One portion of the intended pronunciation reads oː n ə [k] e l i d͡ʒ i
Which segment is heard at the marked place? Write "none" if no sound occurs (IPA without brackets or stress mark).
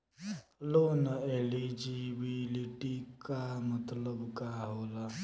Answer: none